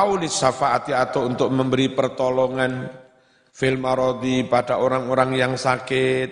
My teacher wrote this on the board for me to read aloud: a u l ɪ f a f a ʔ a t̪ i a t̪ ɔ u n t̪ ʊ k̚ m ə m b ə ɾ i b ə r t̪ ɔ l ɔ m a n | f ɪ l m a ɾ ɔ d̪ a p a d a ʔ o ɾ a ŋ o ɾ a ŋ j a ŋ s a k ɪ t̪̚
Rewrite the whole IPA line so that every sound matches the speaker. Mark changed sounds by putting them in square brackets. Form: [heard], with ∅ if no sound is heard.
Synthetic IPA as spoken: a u l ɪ [s] a f a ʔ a t̪ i a t̪ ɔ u n t̪ ʊ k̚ m ə m b ə ɾ i [p] ə r t̪ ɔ l ɔ [ŋ] a n | f ɪ l m a ɾ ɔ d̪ [i] p a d a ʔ o ɾ a ŋ o ɾ a ŋ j a ŋ s a k ɪ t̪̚